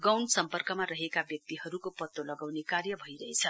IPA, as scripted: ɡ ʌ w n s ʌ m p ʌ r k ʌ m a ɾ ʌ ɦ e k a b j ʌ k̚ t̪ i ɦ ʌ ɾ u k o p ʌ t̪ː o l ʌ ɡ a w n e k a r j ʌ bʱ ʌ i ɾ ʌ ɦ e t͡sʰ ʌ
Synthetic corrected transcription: ɡ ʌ w n s ʌ m p ʌ r k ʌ m a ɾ ʌ ɦ e k a b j ʌ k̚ t̪ i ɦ ʌ ɾ u k o p ʌ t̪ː o l ʌ ɡ a w n e k a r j ʌ bʱ ʌ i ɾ ʌ ɦ e t͡sʰ ʌ